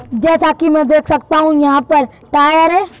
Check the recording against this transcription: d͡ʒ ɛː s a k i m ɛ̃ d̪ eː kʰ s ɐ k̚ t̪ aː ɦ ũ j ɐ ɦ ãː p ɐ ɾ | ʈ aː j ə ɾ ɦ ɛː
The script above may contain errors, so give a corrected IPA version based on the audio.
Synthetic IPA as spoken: d͡ʒ ɛː s a k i m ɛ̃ d̪ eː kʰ s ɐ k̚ t̪ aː ɦ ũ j ɐ ɦ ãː p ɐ ɾ | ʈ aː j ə ɾ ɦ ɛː

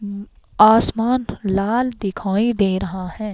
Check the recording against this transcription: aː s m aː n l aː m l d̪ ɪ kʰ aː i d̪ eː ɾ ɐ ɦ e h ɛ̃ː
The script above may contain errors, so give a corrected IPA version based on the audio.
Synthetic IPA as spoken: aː s m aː n l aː l d̪ ɪ kʰ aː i d̪ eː ɾ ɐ ɦ a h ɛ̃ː

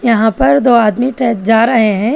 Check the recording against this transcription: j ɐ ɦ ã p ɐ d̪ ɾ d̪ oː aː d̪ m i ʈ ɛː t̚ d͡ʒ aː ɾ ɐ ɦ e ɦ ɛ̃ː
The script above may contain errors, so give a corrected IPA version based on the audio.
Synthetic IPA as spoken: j ɐ ɦ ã p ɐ ɾ d̪ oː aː d̪ m i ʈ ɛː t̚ d͡ʒ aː ɾ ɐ ɦ e ɦ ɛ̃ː

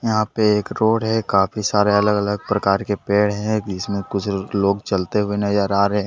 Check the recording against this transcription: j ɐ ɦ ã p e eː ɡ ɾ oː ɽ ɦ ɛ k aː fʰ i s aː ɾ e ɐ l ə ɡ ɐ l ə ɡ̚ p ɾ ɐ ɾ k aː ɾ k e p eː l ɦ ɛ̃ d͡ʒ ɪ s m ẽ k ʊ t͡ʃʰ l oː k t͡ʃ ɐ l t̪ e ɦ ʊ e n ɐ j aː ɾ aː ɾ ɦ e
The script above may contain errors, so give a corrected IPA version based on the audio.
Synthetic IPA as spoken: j ɐ ɦ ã p e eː k ɾ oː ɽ ɦ ɛ k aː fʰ i s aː ɾ e ɐ l ə ɡ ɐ l ə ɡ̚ p ɾ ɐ k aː ɾ k e p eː ɽ ɦ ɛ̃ d͡ʒ ɪ s m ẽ k ʊ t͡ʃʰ l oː ɡ t͡ʃ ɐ l t̪ e ɦ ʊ e n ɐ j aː ɾ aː ɾ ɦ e

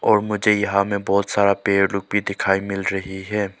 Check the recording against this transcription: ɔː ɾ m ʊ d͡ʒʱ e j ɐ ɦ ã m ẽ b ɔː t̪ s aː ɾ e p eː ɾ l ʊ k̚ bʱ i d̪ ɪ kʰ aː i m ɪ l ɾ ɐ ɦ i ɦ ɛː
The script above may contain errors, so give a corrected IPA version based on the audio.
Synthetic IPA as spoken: ɔː ɾ m ʊ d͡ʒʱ e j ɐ ɦ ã m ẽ b ɔː t̪ s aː ɾ a p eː ɾ l ʊ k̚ bʱ i d̪ ɪ kʰ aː i m ɪ l ɾ ɐ ɦ i ɦ ɛː

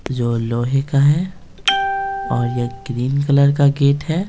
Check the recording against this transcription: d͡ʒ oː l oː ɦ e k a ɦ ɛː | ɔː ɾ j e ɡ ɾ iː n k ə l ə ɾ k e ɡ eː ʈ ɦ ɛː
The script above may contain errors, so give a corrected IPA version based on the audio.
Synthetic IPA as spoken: d͡ʒ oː l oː ɦ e k a ɦ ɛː | ɔː ɾ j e ɡ ɾ iː n k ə l ə ɾ k a ɡ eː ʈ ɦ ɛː

